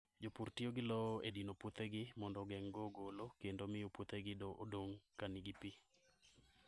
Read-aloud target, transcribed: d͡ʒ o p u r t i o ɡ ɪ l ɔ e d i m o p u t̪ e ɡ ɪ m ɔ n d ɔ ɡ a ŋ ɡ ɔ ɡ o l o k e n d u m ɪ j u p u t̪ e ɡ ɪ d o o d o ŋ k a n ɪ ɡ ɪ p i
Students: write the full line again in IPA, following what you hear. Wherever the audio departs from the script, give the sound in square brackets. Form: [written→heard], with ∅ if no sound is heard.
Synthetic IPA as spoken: d͡ʒ o p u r t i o ɡ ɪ l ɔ e d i [m→n] o p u t̪ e ɡ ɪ m ɔ n d ɔ ɡ [a→ɛ] ŋ ɡ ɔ ɡ o l o k e n d [u→o] m ɪ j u p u t̪ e ɡ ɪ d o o d o ŋ k a n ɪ ɡ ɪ p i